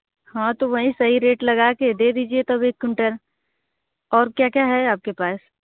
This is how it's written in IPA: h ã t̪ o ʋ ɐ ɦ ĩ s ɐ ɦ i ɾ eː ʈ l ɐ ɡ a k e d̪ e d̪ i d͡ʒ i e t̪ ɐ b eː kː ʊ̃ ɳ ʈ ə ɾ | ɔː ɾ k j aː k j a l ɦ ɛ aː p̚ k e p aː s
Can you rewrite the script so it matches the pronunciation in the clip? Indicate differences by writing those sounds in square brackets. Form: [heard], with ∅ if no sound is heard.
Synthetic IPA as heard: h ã t̪ o ʋ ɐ ɦ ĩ s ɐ ɦ i ɾ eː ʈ l ɐ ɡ a k e d̪ e d̪ [iː] d͡ʒ i e t̪ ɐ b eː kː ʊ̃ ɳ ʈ ə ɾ | ɔː ɾ k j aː k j a [∅] ɦ ɛ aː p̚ k e p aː s